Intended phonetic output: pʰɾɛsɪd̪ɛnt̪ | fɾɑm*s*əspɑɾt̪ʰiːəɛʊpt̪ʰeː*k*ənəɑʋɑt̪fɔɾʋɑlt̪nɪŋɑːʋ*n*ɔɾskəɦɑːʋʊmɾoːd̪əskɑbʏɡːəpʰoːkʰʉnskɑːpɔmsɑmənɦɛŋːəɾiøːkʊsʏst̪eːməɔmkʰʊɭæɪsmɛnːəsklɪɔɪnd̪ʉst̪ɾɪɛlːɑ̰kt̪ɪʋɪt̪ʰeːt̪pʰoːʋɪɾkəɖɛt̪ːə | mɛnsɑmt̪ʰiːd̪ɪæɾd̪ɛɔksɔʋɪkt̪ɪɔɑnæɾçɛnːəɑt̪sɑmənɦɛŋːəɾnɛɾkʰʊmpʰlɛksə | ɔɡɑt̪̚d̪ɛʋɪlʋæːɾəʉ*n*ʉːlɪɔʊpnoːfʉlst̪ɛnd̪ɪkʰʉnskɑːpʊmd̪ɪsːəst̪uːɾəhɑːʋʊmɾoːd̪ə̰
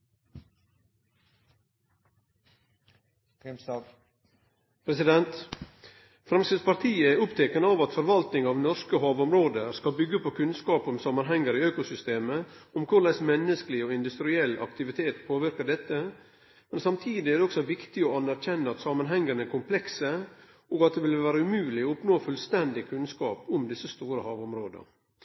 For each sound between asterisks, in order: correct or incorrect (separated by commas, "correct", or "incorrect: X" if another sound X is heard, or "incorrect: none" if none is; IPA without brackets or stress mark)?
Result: correct, correct, correct, incorrect: m